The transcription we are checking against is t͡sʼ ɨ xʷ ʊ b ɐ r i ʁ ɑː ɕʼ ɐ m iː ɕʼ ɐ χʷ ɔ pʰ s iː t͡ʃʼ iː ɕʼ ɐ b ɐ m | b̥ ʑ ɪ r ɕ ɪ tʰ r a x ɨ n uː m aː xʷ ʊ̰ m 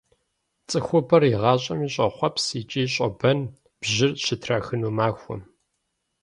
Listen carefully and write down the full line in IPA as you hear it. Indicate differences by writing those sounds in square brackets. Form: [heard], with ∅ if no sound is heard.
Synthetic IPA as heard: t͡sʼ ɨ xʷ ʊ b ɐ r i ʁ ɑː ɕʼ ɐ m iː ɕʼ ɐ χʷ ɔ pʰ s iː t͡ʃʼ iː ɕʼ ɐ b ɐ [n] | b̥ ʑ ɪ r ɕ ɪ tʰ r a x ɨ n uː m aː xʷ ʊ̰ m